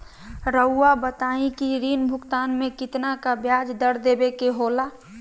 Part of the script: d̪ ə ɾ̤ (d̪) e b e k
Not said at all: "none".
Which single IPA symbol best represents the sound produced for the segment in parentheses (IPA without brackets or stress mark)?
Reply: d̪